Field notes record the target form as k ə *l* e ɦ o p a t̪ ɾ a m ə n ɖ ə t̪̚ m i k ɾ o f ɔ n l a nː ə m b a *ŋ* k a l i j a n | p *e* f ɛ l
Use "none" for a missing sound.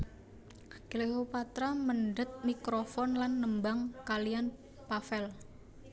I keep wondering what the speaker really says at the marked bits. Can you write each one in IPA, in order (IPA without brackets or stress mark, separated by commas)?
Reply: l, ŋ, a